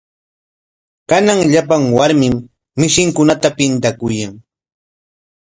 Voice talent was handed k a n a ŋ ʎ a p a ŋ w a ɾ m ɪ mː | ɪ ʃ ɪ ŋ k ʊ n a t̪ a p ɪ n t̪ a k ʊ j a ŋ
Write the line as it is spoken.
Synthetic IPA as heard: k a n a ŋ ʎ a p a ŋ w a ɾ m ɪ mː | ɪ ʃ ɪ ŋ k ʊ n a t̪ a p ɪ n t̪ a k ʊ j a ŋ